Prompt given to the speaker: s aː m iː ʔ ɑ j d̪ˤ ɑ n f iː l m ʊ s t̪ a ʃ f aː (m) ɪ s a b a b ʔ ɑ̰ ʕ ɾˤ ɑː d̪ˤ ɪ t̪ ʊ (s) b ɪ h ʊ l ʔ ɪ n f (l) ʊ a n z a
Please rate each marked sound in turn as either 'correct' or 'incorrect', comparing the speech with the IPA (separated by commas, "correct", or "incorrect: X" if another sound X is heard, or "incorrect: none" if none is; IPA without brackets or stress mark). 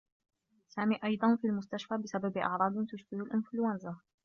incorrect: b, incorrect: ʃ, correct